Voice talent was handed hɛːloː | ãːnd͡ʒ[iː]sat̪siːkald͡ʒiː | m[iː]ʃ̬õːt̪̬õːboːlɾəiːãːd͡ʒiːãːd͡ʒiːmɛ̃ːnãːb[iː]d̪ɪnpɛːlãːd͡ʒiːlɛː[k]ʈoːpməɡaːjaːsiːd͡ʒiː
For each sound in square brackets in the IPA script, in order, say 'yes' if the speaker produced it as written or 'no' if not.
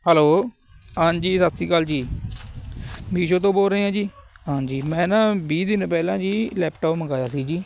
yes, yes, yes, no

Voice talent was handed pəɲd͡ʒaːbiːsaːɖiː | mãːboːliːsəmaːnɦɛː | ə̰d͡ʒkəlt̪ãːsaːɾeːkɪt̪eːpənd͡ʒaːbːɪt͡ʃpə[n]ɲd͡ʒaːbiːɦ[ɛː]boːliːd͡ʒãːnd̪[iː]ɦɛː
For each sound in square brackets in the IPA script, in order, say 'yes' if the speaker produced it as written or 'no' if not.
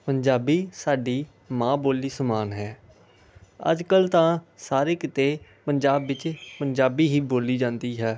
no, no, yes

